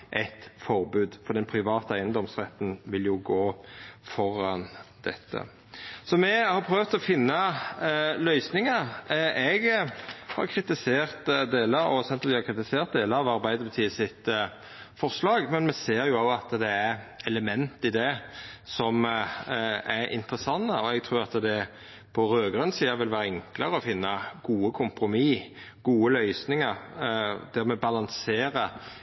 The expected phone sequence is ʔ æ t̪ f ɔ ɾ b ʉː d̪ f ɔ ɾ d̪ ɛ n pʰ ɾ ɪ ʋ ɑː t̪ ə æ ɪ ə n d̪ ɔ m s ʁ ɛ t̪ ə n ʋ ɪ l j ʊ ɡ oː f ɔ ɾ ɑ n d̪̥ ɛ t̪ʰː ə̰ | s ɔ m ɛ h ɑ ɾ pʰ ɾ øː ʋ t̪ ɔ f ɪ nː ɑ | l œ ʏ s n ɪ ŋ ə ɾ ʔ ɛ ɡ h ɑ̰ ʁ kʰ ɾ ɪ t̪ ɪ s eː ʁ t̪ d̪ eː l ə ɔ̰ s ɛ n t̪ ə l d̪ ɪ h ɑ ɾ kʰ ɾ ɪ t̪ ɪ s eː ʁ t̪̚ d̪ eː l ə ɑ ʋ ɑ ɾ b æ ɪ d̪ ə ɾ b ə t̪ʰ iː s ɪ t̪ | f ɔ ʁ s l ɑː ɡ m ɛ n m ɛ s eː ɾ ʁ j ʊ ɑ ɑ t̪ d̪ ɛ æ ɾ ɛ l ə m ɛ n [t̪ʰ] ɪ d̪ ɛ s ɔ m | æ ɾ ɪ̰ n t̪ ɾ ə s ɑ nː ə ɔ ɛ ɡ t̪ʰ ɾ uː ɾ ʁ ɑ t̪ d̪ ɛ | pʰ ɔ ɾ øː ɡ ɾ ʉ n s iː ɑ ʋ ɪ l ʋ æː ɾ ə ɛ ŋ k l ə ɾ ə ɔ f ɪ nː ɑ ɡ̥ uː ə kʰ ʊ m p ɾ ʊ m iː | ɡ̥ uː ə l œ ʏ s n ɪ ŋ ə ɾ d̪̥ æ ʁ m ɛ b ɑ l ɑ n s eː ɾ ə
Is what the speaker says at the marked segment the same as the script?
no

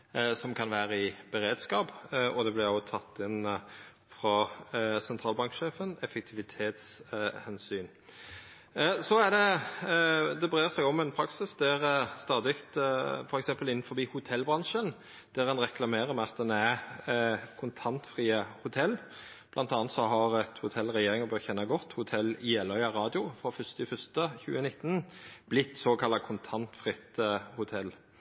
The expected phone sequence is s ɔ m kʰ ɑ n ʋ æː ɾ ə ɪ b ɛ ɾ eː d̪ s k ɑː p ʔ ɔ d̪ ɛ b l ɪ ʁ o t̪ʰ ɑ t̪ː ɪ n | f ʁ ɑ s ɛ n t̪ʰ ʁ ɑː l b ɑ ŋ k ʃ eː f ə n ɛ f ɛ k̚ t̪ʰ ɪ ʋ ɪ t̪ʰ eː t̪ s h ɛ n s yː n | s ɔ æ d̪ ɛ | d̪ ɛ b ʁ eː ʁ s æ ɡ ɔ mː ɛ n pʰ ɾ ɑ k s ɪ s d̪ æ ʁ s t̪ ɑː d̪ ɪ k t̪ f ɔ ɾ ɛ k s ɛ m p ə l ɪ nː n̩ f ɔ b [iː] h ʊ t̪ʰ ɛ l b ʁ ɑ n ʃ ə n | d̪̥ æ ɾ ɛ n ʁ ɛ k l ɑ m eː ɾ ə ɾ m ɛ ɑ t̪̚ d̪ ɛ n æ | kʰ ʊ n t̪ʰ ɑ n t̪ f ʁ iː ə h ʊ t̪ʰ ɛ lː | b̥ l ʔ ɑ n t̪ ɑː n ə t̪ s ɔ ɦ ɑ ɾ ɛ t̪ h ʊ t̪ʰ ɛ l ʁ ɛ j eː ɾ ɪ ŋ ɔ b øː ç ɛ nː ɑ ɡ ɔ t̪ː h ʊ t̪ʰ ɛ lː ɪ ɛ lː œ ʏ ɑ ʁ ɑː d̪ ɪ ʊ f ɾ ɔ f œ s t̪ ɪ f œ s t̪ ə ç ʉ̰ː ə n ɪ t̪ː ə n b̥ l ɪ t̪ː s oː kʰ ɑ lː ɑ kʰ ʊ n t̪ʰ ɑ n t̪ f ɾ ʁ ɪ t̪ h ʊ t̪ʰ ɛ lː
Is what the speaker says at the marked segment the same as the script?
yes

